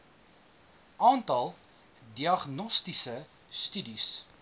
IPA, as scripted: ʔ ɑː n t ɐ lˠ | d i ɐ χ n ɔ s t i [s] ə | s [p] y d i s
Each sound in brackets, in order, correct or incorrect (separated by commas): correct, incorrect